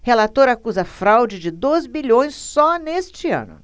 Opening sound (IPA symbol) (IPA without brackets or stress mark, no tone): h